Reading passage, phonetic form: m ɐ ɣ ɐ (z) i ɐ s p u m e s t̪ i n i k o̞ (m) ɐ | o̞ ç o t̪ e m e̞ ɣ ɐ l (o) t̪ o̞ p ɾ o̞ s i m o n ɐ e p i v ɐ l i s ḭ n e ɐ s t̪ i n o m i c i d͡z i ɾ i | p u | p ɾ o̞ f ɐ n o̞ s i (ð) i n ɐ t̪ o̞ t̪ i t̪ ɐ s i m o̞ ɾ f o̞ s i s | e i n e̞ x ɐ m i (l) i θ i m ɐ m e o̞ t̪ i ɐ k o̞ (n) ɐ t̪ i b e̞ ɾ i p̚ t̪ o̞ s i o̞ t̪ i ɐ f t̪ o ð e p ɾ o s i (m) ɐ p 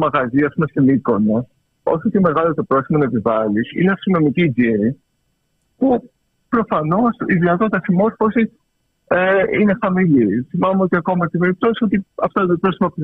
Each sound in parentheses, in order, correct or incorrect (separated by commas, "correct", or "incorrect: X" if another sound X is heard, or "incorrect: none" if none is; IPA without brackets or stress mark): correct, incorrect: n, correct, correct, correct, incorrect: m, correct